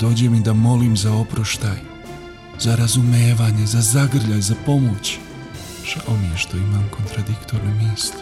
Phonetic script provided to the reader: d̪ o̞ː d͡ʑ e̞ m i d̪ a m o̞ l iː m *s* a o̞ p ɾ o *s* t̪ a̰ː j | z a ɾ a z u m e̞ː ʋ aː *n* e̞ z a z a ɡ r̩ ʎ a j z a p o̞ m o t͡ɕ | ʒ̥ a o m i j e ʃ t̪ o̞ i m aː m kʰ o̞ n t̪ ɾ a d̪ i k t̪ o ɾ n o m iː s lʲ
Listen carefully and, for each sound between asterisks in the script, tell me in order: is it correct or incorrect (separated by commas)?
incorrect, incorrect, incorrect